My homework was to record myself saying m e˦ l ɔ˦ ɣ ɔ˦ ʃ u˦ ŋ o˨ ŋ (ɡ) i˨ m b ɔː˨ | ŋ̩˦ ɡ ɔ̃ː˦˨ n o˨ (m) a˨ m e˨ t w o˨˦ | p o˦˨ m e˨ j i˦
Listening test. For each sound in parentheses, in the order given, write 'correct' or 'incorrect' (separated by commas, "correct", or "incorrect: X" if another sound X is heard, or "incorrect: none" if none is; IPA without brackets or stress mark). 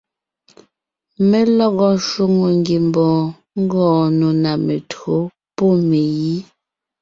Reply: correct, incorrect: n